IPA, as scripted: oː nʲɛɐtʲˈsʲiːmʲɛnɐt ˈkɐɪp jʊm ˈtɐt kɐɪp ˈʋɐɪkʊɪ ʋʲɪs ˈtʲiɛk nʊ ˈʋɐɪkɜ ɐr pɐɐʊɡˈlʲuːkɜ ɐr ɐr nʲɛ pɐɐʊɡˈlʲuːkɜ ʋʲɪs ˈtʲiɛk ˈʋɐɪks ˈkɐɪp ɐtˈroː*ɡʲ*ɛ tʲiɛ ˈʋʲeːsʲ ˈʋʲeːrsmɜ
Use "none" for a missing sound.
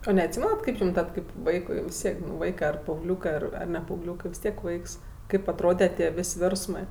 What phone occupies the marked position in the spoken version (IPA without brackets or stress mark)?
dʲ